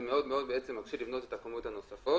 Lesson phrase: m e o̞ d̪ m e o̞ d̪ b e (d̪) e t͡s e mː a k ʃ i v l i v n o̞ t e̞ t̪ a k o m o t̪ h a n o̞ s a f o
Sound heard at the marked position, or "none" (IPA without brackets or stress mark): none